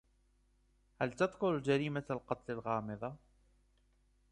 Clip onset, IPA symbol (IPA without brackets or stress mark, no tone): h